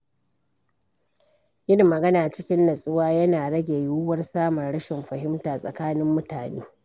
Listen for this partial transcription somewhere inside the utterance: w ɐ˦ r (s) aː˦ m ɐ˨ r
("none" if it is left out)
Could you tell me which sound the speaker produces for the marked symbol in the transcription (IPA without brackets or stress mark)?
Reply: s